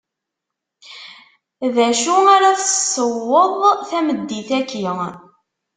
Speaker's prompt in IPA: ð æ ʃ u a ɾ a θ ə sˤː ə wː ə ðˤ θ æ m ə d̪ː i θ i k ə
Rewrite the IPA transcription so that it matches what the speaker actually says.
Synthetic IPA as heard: ð æ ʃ u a ɾ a θ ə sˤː ə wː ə ðˤ θ æ m ə d̪ː i θ æ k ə